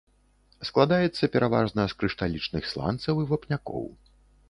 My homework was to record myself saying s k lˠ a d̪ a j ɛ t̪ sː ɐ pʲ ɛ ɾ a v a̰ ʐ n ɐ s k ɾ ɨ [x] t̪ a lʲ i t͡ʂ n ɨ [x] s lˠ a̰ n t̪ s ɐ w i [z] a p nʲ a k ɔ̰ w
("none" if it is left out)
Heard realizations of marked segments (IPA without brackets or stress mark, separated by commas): ʂ, x, v